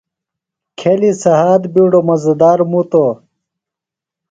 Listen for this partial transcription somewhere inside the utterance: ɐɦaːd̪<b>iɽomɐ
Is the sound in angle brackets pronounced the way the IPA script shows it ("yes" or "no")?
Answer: yes